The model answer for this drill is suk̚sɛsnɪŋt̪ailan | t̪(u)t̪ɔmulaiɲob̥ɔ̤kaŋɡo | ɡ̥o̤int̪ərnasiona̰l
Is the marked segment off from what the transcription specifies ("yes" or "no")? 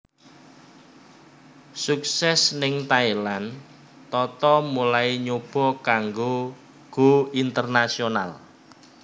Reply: yes